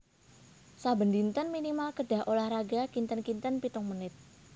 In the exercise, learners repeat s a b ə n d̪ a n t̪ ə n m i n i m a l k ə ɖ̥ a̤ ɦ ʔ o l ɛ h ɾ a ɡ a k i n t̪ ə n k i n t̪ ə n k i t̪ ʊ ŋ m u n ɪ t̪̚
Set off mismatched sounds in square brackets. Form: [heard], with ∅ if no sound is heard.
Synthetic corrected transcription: s a b ə n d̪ [i] n t̪ ə n m i n i m a l k ə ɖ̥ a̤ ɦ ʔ o l [a] h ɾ a ɡ a k i n t̪ ə n k i n t̪ ə n [p] i t̪ ʊ ŋ m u n ɪ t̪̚